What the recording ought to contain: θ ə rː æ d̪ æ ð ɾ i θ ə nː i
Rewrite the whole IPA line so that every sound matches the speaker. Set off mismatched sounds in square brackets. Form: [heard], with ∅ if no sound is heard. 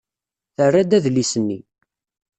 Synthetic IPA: θ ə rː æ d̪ æ ð [l] i [s] ə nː i